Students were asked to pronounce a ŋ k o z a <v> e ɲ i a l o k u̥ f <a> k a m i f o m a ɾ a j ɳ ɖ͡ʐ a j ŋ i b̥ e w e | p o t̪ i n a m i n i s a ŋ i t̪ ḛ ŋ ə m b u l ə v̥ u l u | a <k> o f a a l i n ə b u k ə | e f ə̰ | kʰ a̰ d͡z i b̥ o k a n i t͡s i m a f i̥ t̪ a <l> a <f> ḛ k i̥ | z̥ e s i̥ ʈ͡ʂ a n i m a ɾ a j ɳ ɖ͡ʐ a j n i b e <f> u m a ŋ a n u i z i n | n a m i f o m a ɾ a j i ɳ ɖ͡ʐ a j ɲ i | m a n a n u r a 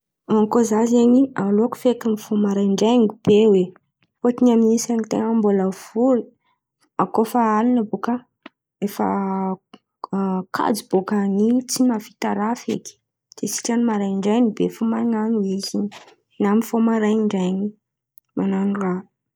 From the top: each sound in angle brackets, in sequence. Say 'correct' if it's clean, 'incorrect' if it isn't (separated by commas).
incorrect, incorrect, correct, incorrect, correct, correct